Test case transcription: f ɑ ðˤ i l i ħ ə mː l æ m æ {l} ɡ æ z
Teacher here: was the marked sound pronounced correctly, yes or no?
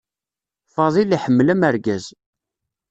no